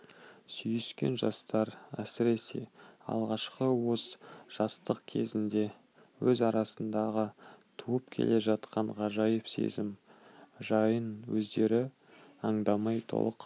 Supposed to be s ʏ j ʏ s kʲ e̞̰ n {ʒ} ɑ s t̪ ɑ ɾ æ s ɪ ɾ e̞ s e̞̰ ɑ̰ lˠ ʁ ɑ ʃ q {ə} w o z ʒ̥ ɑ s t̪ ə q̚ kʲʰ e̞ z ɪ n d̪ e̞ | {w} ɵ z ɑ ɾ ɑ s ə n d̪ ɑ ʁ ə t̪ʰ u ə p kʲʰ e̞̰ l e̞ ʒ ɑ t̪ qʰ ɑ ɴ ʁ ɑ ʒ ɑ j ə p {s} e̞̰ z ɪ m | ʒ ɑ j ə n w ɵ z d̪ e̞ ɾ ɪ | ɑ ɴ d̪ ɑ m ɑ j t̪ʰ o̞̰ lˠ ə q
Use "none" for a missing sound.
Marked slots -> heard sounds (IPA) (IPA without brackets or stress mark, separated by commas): ʒ, ə, w, s